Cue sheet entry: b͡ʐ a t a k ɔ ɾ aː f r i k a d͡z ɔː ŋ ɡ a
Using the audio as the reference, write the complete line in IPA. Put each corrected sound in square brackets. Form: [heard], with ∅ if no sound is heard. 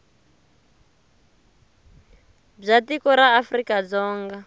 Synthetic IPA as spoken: b͡ʐ a t [i] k ɔ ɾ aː f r i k a d͡z ɔː ŋ ɡ a